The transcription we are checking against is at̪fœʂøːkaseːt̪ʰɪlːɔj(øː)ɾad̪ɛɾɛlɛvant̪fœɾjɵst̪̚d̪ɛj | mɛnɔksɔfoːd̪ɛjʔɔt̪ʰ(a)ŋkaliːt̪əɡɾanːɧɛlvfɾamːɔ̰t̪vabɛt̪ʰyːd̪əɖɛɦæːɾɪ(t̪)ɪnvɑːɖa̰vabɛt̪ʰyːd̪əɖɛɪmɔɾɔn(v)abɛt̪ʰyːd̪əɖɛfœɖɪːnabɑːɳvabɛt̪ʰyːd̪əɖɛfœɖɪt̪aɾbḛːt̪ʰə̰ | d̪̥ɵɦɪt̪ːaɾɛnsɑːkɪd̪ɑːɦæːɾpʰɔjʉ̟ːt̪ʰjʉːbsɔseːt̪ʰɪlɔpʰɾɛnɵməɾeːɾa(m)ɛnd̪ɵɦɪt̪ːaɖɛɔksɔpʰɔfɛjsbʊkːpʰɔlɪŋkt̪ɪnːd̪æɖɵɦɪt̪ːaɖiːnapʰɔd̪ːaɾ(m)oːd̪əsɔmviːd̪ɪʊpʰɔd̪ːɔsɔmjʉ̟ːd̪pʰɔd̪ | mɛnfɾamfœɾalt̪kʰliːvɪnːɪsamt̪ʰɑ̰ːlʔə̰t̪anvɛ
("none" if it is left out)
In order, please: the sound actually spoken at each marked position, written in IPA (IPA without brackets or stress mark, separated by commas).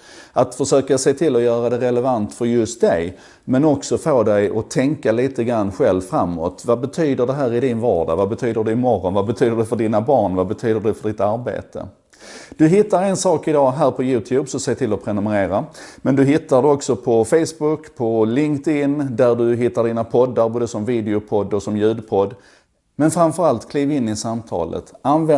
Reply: œː, ɛ, d̪, v, m, b